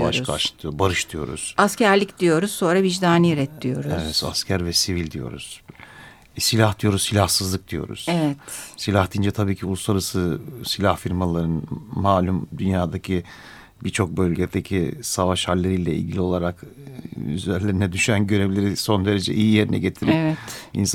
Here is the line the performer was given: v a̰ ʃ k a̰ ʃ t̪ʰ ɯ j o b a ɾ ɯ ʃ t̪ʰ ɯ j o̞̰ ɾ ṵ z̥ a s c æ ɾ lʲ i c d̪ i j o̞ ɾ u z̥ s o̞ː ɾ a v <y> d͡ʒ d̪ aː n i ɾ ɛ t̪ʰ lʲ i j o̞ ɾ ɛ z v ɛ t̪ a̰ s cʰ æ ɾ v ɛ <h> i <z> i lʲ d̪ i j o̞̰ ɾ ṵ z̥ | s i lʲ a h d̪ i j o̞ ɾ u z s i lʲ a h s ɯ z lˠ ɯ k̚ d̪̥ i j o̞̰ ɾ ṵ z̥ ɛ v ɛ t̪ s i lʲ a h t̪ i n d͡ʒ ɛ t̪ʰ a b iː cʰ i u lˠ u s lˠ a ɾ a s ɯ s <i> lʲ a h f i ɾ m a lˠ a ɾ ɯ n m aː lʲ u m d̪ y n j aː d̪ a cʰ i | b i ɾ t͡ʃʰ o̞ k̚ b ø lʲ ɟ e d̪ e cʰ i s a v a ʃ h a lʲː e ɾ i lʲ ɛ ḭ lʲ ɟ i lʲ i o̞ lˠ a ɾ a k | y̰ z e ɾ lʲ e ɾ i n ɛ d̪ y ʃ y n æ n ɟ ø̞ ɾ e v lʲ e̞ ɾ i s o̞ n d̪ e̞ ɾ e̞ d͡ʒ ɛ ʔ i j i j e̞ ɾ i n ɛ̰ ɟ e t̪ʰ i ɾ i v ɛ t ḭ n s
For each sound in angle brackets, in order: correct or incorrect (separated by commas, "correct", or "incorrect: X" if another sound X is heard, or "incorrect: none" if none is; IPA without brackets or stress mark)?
incorrect: i, incorrect: s, incorrect: v, correct